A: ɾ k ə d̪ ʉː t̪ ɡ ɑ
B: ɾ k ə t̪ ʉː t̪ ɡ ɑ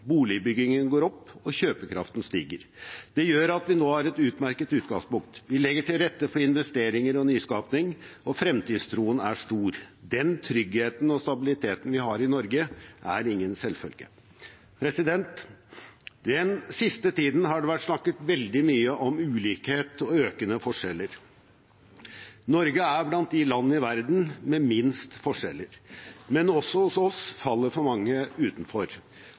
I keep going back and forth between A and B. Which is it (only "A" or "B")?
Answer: B